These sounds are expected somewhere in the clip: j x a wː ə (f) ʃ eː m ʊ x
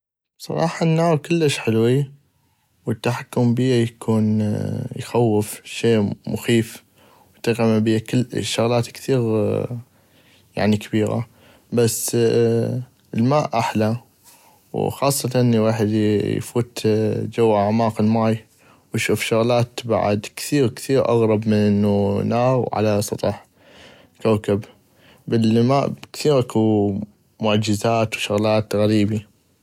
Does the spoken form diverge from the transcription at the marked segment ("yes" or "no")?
no